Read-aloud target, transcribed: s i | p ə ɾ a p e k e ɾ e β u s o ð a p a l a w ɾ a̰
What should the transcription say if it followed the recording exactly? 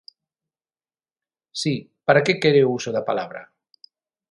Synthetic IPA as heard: s i | p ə ɾ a k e k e ɾ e w u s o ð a p a l a β ɾ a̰